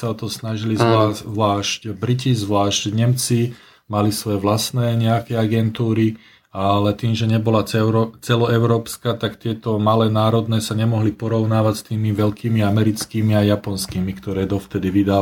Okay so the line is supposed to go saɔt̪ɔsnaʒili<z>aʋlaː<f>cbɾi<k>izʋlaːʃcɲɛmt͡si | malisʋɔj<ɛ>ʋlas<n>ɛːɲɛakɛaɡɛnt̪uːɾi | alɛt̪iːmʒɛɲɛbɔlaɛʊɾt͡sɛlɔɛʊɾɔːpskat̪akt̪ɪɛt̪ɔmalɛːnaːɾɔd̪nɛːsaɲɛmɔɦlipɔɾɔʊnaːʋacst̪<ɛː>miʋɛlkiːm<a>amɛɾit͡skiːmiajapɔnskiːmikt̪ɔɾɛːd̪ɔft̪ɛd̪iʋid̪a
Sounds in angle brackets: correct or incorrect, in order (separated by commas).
correct, incorrect, incorrect, correct, correct, incorrect, incorrect